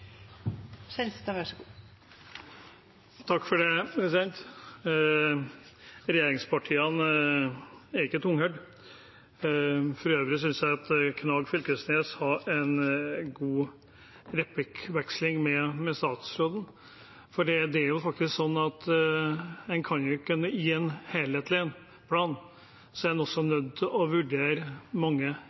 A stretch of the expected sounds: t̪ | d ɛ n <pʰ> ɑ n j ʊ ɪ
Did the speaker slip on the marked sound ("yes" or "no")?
yes